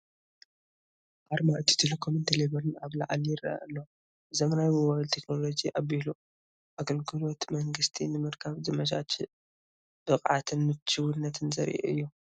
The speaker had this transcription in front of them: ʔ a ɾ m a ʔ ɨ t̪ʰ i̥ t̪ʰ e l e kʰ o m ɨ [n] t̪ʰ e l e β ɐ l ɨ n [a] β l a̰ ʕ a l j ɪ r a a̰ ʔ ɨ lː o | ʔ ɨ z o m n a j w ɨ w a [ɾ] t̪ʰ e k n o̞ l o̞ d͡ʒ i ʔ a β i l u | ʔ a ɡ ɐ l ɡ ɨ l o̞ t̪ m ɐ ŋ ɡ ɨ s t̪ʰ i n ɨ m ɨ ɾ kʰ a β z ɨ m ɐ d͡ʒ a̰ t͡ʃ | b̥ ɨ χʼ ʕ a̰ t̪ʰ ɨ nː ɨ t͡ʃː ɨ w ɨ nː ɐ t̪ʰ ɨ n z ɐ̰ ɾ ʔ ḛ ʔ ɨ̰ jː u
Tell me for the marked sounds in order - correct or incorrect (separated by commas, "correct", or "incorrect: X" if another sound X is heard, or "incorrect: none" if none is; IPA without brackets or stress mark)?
correct, correct, incorrect: l